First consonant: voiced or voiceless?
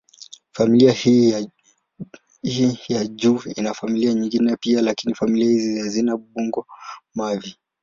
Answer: voiceless